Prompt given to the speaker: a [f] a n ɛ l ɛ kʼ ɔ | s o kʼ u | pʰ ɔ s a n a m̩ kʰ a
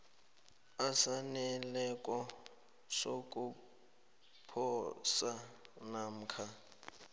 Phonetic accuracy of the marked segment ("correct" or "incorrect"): incorrect